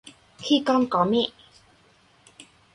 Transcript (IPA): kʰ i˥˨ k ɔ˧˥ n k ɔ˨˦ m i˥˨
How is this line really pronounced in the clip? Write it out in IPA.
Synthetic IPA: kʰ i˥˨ k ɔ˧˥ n k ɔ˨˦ m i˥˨